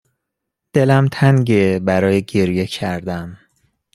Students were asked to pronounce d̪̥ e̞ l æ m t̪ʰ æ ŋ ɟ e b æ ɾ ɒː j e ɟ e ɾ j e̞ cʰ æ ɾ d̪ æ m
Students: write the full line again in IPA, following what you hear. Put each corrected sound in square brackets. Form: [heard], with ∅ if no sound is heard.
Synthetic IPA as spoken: d̪̥ e̞ l æ m t̪ʰ æ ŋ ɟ e b æ ɾ ɒː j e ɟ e ɾ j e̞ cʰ æ ɾ d̪ æ m